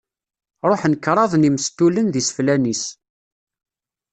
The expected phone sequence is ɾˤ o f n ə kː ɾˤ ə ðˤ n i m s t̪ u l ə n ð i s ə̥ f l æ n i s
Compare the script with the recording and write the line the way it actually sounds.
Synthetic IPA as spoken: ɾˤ o ħ n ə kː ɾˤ ɑ ðˤ n i m s t̪ u l ə n ð i s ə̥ f l æ n i s